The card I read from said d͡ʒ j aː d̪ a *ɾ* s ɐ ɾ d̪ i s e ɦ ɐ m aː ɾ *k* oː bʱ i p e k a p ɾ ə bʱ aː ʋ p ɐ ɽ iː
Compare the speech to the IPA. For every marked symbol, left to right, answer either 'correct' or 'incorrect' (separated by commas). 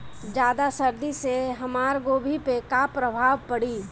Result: incorrect, incorrect